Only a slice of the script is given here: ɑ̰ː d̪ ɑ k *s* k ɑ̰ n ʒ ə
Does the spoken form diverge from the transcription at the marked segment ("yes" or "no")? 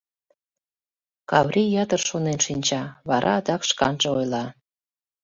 yes